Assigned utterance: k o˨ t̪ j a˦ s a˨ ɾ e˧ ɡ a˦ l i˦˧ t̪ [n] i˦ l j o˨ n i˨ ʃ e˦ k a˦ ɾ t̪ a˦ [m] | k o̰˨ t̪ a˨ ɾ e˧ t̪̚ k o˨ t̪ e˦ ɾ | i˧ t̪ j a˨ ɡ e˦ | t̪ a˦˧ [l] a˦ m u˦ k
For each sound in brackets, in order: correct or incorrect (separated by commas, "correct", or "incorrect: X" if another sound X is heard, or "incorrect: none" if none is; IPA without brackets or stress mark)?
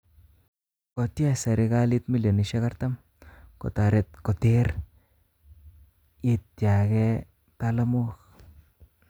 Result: incorrect: m, correct, correct